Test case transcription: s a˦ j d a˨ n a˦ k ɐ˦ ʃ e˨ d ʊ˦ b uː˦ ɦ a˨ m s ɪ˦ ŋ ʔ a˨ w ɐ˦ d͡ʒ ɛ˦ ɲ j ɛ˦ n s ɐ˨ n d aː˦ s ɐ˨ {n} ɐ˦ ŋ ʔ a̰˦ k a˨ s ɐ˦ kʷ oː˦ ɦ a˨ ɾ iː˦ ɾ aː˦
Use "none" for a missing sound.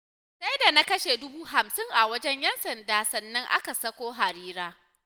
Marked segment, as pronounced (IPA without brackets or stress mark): nː